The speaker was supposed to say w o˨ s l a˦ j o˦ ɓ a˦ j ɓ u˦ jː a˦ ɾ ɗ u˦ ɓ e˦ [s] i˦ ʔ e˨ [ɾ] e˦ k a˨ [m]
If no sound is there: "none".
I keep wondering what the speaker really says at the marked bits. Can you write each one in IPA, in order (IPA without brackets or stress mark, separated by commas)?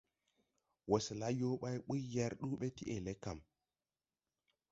t, l, m